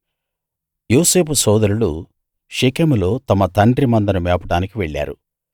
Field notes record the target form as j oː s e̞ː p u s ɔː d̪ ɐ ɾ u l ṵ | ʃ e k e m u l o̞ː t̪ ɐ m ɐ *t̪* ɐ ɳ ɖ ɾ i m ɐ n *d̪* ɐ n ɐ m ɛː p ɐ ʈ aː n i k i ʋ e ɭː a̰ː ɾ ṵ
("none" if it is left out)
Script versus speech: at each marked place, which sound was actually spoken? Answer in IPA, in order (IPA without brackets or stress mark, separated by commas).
t̪, d̪